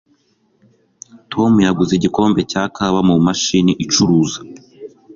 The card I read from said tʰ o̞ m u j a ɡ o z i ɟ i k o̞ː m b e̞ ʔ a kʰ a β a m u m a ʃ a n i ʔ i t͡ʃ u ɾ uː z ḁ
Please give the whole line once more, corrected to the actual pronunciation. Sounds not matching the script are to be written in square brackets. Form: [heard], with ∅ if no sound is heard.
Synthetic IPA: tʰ o̞ m u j a ɡ [u] z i ɟ i k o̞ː m b e̞ [c] a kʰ a β a m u m a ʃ [i] n i ʔ i t͡ʃ u ɾ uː z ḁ